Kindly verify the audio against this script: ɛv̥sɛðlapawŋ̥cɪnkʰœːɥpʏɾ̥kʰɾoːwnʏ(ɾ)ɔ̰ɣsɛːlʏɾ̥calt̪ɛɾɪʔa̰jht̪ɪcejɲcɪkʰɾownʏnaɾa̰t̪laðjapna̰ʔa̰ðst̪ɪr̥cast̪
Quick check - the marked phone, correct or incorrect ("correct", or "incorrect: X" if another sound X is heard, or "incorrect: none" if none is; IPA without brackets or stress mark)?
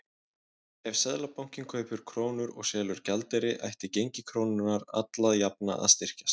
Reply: correct